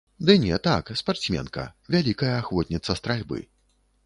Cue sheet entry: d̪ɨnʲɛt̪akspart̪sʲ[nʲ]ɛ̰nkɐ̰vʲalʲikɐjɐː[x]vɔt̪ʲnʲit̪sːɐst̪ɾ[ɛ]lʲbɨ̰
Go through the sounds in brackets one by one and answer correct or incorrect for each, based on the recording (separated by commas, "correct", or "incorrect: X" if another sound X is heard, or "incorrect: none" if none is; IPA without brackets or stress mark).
incorrect: mʲ, correct, incorrect: a